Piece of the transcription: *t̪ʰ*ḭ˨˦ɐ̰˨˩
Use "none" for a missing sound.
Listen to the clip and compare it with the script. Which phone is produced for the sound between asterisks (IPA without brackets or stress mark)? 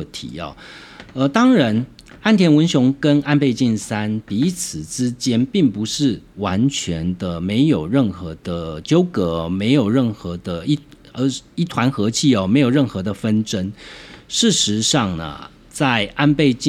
t̪ʰ